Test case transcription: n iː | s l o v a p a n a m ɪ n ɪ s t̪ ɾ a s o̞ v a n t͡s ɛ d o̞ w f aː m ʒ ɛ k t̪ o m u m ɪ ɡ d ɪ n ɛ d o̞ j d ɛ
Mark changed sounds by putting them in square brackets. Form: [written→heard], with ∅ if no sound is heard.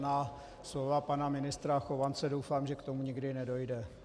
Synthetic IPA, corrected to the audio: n [iː→aː] | s l o v a p a n a m ɪ n ɪ s t̪ ɾ a [s→x] o̞ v a n t͡s ɛ d o̞ w f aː m ʒ ɛ k t̪ o m u [m→ɲ] ɪ ɡ d ɪ n ɛ d o̞ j d ɛ